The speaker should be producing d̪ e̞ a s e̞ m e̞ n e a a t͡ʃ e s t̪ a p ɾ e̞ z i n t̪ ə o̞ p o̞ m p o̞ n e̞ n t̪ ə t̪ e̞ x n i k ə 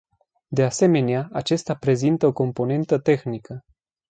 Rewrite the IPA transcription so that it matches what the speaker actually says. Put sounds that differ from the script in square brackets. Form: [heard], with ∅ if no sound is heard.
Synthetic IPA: d̪ e̞ a s e̞ m e̞ n e a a t͡ʃ e s t̪ a p ɾ e̞ z i n t̪ ə o̞ [k] o̞ m p o̞ n e̞ n t̪ ə t̪ e̞ x n i k ə